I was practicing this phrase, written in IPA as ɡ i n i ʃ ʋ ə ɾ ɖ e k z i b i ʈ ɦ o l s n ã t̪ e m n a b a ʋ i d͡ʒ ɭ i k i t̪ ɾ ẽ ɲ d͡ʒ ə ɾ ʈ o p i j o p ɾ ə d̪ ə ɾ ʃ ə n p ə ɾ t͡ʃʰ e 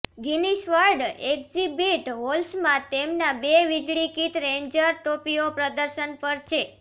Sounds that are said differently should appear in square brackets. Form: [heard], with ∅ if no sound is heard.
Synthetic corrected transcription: ɡ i n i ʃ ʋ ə ɾ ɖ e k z i b i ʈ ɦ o l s [m] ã t̪ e m n a b [e] ʋ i d͡ʒ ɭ i k i t̪ ɾ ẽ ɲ d͡ʒ ə ɾ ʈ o p i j o p ɾ ə d̪ ə ɾ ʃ ə n p ə ɾ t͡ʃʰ e